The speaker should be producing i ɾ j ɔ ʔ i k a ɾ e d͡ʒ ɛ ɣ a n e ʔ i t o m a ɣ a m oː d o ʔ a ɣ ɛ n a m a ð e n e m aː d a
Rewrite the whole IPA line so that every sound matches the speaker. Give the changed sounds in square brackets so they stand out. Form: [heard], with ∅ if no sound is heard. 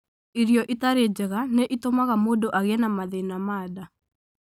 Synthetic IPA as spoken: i ɾ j ɔ ʔ i [t] a ɾ e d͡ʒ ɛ ɣ a n e ʔ i t o m a ɣ a m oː d o ʔ a ɣ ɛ n a m a ð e n [a] m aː d a